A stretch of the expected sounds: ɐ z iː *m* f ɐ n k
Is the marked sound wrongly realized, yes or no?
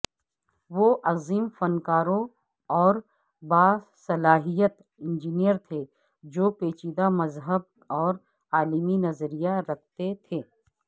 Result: no